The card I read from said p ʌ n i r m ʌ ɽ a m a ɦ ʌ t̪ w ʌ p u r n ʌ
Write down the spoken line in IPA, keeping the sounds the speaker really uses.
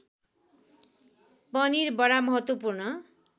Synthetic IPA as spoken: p ʌ n i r b ʌ ɽ a m ʌ ɦ ʌ t̪ w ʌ p u r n ʌ